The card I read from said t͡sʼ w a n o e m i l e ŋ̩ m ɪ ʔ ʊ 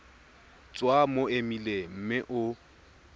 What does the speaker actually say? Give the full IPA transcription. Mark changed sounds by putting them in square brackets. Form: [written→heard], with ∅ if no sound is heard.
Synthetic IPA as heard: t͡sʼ w a [n→m] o e m i l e [ŋ̩→m̩] m ɪ ʔ ʊ